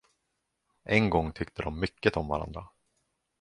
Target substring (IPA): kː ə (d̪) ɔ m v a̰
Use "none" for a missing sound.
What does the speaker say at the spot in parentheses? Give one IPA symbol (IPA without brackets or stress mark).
t̪